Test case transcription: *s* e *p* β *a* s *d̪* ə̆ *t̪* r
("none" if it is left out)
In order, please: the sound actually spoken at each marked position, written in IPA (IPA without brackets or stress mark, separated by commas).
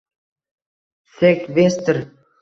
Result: s, k, e, t̪, none